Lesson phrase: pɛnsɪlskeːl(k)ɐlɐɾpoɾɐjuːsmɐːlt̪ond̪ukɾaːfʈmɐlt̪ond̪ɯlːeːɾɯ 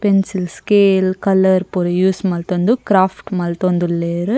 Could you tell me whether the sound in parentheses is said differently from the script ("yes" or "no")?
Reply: no